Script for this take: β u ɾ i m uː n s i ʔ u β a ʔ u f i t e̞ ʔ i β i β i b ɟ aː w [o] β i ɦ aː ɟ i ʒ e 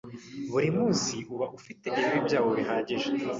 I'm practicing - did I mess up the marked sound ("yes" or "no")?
no